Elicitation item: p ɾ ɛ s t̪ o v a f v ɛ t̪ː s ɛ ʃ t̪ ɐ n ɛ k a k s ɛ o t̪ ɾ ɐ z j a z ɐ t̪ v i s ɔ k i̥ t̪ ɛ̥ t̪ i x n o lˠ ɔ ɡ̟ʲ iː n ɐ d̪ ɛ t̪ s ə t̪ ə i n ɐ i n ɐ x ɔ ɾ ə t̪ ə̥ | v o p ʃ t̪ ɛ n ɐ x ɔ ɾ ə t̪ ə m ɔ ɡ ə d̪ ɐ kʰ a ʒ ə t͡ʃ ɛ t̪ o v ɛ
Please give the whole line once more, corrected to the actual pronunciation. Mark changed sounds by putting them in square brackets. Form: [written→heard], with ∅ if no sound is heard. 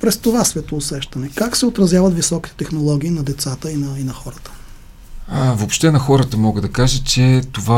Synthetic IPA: p ɾ ɛ s t̪ o v a [f→s] v ɛ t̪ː s ɛ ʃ t̪ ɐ n ɛ k a k s ɛ o t̪ ɾ ɐ z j a [z→v] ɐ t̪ v i s ɔ k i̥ t̪ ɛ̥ t̪ [i→ɛ] x n o lˠ ɔ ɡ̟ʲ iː n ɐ d̪ ɛ t̪ s [ə→a] t̪ ə i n ɐ i n ɐ x ɔ ɾ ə t̪ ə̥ | v o p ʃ t̪ ɛ n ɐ x ɔ ɾ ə t̪ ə m ɔ ɡ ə d̪ ɐ [kʰ→k] a ʒ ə t͡ʃ ɛ t̪ o v [ɛ→a]